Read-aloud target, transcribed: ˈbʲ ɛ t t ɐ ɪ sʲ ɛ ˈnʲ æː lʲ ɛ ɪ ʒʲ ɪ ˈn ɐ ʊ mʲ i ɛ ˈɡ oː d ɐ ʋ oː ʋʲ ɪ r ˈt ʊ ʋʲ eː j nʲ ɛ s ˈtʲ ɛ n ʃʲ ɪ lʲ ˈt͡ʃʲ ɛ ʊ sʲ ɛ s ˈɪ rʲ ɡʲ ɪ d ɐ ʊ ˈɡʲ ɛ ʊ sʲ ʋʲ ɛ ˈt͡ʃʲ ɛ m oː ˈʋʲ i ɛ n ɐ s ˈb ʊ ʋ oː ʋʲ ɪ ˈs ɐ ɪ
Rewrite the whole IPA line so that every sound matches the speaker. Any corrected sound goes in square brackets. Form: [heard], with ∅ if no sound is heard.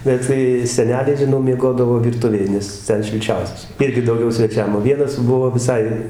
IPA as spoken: ˈbʲ ɛ t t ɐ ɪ sʲ ɛ ˈnʲ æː lʲ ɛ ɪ ʒʲ ɪ ˈn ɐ ʊ mʲ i ɛ ˈɡ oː d ɐ ʋ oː ʋʲ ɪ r ˈt ʊ ʋʲ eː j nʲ ɛ s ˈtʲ ɛ n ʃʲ ɪ lʲ ˈt͡ʃʲ ɛ ʊ sʲ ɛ s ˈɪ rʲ ɡʲ ɪ d ɐ ʊ ˈɡʲ ɛ ʊ sʲ ʋʲ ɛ ˈt͡ʃʲ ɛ m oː ˈʋʲ i ɛ n ɐ s ˈb ʊ ʋ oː ʋʲ ɪ ˈs ɐ ɪ